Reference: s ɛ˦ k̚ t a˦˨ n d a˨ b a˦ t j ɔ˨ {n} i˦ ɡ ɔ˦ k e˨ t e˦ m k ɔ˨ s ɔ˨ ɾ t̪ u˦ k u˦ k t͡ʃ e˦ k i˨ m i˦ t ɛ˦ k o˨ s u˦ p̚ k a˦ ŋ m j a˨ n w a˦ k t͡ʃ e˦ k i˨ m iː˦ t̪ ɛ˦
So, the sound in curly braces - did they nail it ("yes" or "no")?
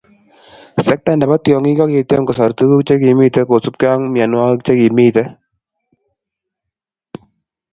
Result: no